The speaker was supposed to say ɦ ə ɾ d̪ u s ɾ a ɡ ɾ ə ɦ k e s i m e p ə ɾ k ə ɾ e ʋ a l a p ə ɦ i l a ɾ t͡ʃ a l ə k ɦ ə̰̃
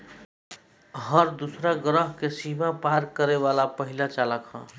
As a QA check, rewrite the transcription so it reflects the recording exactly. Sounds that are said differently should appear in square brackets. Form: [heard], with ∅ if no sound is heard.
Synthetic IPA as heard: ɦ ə ɾ d̪ u s ɾ a ɡ ɾ ə ɦ k e s i m [a] p [a] ɾ k ə ɾ e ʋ a l a p ə ɦ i l a [∅] t͡ʃ a l ə k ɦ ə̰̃